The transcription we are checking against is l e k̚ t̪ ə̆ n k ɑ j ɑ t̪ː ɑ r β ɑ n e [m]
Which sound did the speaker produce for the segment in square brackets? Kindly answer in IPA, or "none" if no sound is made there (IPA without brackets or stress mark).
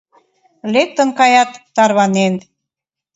n